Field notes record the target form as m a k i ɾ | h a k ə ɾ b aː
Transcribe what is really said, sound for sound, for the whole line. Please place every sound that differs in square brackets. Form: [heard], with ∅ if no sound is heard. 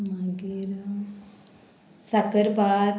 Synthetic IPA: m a [ɡ] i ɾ | [s] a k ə ɾ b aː